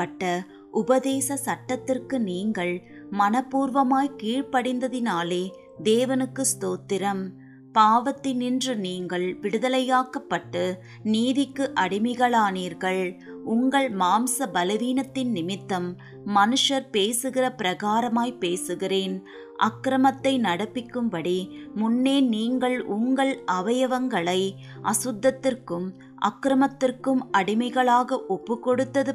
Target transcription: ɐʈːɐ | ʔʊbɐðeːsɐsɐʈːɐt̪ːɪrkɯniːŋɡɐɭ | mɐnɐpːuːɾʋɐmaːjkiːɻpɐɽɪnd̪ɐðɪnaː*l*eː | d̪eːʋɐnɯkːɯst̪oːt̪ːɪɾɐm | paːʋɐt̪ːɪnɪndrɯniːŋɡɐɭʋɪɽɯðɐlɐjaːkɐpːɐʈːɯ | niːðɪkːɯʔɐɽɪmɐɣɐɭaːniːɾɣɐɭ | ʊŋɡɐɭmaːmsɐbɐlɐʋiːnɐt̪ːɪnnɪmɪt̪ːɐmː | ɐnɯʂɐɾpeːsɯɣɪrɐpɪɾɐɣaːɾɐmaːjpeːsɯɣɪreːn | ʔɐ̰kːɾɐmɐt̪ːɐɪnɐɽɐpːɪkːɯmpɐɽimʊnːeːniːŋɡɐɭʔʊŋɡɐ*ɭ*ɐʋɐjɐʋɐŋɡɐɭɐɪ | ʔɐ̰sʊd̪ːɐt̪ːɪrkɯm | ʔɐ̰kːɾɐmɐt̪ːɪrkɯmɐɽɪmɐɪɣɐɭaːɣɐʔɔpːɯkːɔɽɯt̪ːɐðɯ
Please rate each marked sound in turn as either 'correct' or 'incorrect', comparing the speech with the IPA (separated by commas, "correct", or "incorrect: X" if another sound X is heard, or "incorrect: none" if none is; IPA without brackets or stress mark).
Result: correct, correct